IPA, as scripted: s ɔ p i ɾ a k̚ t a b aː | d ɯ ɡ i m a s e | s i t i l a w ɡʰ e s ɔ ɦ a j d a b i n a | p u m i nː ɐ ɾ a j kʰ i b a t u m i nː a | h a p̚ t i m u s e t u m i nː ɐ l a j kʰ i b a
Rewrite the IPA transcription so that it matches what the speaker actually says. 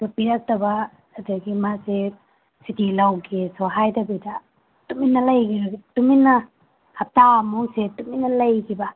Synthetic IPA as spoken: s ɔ p i ɾ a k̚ t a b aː | d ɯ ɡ i m a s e | s i t i l a w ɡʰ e s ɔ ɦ a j d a b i d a | t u m i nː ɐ l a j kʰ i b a t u m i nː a | h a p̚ t a m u s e t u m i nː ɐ l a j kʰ i b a